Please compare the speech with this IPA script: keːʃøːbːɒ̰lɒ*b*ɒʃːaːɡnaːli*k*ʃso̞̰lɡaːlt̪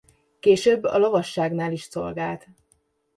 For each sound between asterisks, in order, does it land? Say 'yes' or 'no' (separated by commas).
no, no